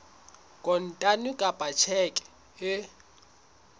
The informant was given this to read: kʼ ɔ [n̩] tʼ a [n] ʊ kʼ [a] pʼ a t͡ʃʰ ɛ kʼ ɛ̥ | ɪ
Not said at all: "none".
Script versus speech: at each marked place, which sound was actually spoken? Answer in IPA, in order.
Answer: n̩, n, a

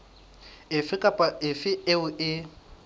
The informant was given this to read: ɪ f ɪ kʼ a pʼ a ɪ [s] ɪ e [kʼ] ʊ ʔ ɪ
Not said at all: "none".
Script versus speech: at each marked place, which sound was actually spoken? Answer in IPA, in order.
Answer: f, none

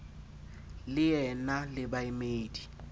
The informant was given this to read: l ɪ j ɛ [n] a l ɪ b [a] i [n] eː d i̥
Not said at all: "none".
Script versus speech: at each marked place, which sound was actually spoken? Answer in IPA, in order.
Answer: n, a, m

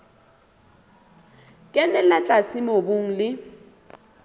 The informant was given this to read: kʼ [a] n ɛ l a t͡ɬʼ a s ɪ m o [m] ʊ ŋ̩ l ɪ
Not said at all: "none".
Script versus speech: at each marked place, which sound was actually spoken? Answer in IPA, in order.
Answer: ɛ, b

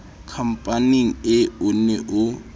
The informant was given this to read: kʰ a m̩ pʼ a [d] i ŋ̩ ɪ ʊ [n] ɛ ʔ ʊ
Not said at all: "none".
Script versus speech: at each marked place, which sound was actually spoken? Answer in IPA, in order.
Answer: n, n

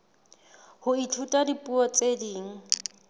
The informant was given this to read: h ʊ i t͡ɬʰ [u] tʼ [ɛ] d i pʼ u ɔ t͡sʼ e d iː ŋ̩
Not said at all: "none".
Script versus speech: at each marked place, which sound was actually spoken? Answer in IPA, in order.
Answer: u, a

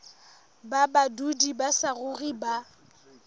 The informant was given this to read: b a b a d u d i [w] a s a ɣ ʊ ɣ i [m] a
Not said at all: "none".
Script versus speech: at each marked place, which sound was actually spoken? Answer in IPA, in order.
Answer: b, b

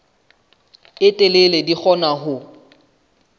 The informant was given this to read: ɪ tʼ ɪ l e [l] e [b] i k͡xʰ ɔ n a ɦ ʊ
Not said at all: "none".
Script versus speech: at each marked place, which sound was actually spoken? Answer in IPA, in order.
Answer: l, d

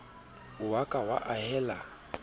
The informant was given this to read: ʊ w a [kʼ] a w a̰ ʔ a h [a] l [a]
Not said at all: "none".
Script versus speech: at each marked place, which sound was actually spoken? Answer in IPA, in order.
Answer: kʼ, ɛ, a

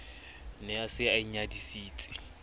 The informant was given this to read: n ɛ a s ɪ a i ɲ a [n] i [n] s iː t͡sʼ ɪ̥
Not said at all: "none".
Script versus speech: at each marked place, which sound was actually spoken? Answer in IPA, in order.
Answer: d, none

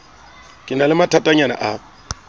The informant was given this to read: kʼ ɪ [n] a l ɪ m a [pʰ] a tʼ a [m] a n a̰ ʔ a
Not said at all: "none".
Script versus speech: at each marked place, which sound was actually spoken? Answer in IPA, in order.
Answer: n, tʰ, ɲ

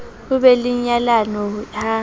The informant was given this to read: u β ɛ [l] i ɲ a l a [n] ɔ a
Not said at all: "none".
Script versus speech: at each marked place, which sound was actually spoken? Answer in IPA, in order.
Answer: l, n

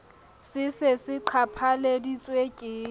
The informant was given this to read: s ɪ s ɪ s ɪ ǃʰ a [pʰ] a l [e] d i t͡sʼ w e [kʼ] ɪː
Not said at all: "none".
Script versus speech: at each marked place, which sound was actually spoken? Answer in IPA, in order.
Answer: pʰ, e, kʼ

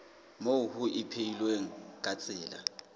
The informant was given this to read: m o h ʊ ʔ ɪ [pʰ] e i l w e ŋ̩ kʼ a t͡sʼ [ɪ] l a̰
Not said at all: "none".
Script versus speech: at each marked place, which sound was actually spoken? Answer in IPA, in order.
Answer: pʰ, ɪː

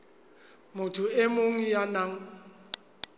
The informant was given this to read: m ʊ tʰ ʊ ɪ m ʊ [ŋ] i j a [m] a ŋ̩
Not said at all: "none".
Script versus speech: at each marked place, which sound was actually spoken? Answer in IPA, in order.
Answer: ŋ, n

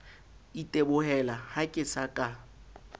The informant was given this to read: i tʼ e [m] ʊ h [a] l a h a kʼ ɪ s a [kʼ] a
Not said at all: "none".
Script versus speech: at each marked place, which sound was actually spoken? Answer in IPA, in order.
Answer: b, ɛ, kʼ

